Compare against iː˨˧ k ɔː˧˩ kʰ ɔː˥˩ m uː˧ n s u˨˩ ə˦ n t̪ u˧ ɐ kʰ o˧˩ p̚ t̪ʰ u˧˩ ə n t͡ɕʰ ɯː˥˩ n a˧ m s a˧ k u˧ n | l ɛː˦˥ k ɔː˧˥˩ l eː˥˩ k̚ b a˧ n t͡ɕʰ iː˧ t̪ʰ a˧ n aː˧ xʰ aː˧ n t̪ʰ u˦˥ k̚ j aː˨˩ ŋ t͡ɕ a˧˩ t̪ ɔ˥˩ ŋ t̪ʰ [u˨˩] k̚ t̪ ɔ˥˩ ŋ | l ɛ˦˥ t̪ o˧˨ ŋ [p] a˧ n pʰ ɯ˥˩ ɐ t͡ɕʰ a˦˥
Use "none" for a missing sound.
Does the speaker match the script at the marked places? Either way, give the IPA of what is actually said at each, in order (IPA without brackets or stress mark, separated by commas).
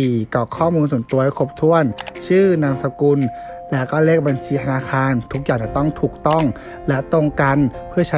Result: uː˨˩, k